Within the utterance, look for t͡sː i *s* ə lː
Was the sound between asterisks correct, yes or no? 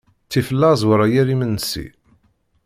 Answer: no